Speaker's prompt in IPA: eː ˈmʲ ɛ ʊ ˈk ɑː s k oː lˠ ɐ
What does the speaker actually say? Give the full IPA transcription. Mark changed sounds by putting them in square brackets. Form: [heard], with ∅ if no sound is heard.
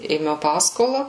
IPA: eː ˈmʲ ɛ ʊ [ˈp] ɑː s k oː lˠ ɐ